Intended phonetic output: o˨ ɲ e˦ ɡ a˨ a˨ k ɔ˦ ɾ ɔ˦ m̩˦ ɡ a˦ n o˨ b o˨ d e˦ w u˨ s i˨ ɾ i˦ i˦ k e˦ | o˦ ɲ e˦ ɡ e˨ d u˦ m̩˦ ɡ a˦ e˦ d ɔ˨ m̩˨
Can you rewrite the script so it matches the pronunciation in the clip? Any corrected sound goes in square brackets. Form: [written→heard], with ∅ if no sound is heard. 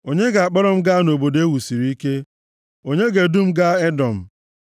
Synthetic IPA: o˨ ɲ e˦ ɡ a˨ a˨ [k→k͡p] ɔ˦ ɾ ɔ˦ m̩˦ ɡ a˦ n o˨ b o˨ d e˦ w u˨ s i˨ ɾ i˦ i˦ k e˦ | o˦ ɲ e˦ ɡ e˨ d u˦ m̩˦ ɡ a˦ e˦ d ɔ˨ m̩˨